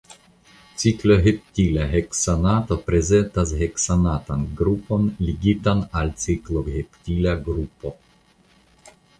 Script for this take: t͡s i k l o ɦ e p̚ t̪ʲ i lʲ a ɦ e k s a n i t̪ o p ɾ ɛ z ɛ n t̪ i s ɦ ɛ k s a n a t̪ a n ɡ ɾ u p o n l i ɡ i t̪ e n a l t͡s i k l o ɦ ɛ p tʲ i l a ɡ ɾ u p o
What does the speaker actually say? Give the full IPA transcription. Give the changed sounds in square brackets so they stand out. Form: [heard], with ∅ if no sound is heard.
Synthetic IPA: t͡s i k l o ɦ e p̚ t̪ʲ i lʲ a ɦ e k s a n [a] t̪ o p ɾ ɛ z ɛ n t̪ [a] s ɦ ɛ k s a n a t̪ a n ɡ ɾ u p o n l i ɡ i t̪ [a] n a l t͡s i k l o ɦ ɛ p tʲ i l a ɡ ɾ u p o